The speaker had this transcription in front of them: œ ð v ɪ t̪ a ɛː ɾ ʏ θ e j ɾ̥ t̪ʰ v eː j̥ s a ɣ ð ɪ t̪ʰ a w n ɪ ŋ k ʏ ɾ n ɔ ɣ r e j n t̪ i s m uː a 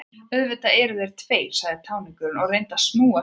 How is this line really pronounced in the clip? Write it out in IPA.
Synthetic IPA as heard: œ ð v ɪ t̪ a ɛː ɾ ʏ ð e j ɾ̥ t̪ʰ v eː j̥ s a ɣ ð ɪ t̪ʰ a w n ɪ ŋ k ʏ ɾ n ɔ ɣ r e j n t̪ a s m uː a